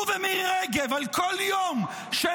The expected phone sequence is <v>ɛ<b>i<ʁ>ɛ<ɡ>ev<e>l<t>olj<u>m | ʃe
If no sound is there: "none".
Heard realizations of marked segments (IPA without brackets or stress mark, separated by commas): v, m, ʁ, ɡ, a, k, o